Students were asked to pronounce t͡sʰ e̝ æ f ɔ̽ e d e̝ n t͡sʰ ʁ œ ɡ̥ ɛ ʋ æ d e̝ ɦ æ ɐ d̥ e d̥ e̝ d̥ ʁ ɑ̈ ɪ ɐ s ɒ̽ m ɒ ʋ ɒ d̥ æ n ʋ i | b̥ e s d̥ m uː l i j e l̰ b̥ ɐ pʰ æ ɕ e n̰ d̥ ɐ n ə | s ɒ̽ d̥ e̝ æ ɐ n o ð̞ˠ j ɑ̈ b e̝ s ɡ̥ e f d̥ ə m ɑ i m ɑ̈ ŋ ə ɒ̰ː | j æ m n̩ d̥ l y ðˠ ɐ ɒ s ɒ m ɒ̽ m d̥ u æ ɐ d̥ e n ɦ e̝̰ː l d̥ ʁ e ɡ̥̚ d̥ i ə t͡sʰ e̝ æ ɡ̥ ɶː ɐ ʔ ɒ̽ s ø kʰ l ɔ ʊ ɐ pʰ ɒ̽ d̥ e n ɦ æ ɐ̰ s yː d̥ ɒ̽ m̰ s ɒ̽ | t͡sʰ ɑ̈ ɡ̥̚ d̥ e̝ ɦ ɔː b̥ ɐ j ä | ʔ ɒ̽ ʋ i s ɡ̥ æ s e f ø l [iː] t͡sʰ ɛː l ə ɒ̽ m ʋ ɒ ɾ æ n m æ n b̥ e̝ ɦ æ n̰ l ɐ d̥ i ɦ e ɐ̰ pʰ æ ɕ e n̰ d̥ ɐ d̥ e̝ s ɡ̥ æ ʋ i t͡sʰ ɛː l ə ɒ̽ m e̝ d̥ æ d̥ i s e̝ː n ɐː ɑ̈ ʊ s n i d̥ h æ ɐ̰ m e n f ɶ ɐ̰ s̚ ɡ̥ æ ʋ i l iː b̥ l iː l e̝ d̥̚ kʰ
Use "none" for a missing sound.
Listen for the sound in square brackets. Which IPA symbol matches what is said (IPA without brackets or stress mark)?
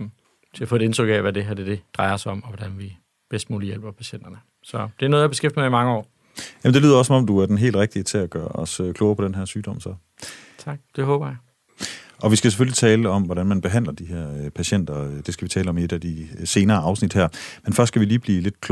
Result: i